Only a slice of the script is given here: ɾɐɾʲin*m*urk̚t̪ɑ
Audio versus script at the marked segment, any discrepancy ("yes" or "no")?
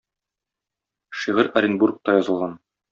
yes